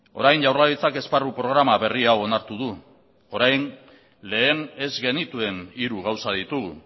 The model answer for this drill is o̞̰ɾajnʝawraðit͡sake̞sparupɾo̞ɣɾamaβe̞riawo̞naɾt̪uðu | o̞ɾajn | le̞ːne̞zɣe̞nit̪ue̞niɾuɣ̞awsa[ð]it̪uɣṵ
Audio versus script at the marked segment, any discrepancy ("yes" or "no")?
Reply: no